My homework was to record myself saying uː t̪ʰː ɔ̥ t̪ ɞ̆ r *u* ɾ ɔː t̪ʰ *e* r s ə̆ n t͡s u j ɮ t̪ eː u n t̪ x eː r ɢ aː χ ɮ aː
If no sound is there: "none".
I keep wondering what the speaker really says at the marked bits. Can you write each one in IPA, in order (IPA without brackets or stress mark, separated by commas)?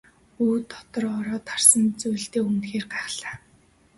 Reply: ɔ, a